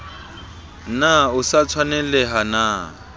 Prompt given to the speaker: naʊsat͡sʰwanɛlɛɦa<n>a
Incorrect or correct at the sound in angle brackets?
correct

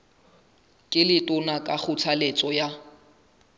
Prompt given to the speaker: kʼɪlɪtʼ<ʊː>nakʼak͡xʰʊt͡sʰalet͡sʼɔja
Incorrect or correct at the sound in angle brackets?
incorrect: ʊ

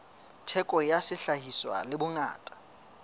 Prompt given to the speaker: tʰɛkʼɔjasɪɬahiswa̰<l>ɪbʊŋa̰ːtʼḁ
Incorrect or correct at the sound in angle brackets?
correct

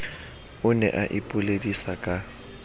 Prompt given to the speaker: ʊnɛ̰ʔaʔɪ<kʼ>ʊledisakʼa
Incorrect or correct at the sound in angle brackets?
incorrect: pʼ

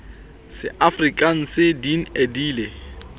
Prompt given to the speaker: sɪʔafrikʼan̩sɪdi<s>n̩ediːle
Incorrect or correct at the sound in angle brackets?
incorrect: none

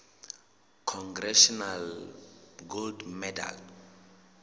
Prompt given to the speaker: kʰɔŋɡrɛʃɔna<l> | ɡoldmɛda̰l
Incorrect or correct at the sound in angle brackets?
correct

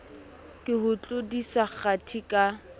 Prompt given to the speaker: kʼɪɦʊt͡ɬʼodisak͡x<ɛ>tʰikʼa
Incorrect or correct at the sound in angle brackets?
incorrect: a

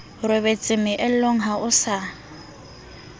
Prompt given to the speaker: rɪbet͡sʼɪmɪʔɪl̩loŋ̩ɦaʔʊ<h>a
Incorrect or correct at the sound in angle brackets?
incorrect: s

